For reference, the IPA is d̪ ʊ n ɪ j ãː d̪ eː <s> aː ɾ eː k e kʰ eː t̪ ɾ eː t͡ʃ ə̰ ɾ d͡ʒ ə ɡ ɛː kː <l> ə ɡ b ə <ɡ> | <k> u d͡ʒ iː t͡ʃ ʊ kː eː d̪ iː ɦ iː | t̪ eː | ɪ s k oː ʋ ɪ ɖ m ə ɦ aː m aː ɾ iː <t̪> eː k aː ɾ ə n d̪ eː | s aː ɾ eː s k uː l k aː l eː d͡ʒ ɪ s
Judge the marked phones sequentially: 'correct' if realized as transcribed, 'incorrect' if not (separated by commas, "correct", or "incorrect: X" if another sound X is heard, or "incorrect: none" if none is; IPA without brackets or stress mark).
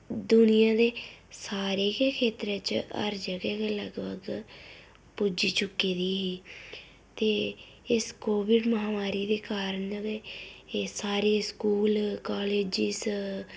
correct, correct, correct, incorrect: p, incorrect: d̪